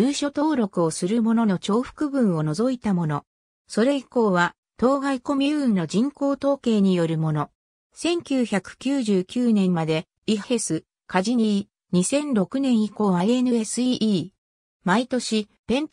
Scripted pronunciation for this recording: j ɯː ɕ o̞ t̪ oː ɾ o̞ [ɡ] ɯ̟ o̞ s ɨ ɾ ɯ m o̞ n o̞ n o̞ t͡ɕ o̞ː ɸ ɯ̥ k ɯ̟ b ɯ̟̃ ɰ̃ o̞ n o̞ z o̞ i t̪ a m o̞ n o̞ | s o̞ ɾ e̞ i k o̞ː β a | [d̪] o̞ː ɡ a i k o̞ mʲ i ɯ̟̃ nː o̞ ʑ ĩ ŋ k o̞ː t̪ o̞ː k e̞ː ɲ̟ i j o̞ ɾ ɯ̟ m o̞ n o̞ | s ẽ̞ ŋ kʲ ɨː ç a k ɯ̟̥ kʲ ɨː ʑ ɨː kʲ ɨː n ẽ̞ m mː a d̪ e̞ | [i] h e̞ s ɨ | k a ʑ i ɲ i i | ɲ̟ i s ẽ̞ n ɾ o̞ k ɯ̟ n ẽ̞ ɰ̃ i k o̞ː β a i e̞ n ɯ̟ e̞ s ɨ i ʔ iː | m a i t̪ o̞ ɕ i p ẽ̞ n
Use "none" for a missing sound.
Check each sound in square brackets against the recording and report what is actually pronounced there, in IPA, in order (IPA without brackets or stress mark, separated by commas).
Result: k, t̪, i